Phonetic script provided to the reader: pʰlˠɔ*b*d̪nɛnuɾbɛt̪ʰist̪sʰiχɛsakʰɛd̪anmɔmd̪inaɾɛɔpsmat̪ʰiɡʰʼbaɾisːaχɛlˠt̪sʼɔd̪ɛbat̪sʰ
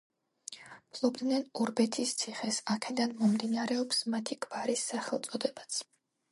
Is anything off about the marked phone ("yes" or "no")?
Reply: no